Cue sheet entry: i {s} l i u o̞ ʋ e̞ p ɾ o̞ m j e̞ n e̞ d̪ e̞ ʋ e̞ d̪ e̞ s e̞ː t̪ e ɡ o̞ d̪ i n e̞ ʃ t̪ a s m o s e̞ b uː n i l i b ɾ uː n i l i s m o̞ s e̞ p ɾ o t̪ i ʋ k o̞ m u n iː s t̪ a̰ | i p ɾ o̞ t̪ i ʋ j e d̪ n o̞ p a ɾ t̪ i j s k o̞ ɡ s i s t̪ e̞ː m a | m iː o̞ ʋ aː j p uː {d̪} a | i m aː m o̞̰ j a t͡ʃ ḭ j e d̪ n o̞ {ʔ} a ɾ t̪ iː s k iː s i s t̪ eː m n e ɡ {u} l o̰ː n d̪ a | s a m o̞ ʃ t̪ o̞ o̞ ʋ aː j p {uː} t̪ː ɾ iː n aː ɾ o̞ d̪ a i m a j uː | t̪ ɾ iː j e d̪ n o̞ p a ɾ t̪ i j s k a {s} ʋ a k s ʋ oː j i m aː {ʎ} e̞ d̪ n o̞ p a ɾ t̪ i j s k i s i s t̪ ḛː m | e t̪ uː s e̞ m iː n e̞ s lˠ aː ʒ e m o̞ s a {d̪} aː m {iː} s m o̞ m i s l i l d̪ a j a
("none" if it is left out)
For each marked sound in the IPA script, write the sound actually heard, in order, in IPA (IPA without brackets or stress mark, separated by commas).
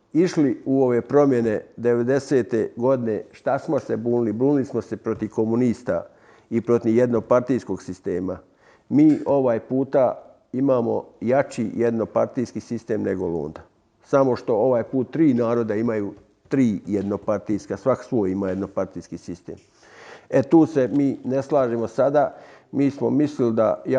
ʃ, t̪, p, o, uː, s, j, d̪, iː